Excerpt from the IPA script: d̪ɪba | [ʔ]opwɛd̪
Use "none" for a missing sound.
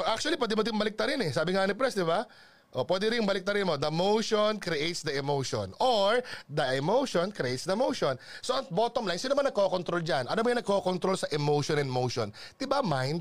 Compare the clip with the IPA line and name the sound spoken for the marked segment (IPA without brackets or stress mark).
ʔ